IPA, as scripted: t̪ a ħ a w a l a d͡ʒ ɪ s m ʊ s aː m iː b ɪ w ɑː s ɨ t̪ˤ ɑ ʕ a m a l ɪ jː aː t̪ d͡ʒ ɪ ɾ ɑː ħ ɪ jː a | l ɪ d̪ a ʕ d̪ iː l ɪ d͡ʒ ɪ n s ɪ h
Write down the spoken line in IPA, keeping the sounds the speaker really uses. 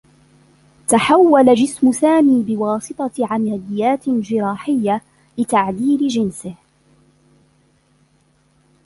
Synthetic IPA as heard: t̪ a ħ a wː a l a d͡ʒ ɪ s m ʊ s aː m iː b ɪ w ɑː s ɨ t̪ˤ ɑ ʕ a m a l ɪ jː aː t̪ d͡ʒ ɪ ɾ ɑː ħ ɪ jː a | l ɪ t̪ a ʕ d̪ iː l ɪ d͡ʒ ɪ n s ɪ h